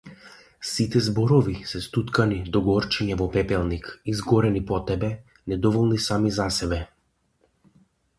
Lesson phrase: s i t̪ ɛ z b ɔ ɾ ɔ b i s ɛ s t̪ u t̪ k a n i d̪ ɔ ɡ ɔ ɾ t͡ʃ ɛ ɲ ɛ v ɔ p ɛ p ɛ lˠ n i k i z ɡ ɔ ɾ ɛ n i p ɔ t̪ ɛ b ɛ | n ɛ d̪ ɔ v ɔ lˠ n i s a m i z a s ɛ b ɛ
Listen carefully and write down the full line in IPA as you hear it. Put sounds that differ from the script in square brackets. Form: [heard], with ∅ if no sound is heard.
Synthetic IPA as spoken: s i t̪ ɛ z b ɔ ɾ ɔ [v] i s ɛ s t̪ u t̪ k a n i d̪ ɔ ɡ ɔ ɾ t͡ʃ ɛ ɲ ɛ v ɔ p ɛ p ɛ lˠ n i k i z ɡ ɔ ɾ ɛ n i p ɔ t̪ ɛ b ɛ | n ɛ d̪ ɔ v ɔ lˠ n i s a m i z a s ɛ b ɛ